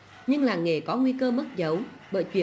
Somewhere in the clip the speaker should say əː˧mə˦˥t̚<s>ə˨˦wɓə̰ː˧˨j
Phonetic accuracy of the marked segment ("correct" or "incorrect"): incorrect